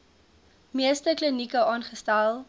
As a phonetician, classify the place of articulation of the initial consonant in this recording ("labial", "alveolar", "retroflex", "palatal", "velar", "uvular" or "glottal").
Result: labial